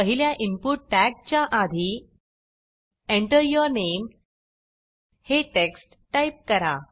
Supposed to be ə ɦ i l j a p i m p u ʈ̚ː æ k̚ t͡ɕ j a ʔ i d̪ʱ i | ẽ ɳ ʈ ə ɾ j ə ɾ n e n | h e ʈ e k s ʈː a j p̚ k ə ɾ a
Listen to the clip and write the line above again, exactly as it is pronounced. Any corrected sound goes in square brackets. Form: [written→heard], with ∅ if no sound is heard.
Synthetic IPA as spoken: ə ɦ i l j a [p→ʔ] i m p u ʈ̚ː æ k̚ t͡ɕ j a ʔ [i→a] d̪ʱ i | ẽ ɳ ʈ ə ɾ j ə ɾ n e [n→m] | h e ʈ e k s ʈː a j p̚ k ə ɾ a